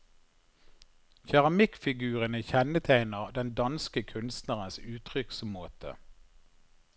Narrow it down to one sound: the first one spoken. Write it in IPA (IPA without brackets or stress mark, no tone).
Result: ç